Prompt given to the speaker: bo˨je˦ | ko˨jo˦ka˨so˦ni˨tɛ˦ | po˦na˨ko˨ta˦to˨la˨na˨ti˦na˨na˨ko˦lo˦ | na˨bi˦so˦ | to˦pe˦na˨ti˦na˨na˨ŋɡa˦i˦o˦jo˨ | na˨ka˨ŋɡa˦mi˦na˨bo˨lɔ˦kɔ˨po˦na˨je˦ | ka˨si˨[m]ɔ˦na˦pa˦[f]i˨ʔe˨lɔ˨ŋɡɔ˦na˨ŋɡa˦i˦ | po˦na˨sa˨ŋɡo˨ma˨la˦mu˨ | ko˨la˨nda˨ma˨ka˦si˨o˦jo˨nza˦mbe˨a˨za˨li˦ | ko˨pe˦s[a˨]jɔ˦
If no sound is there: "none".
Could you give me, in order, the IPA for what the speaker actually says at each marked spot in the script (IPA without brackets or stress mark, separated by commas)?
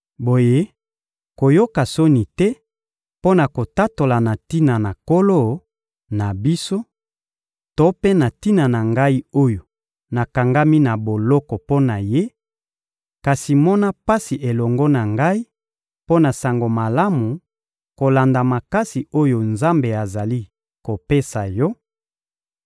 m, s, a˨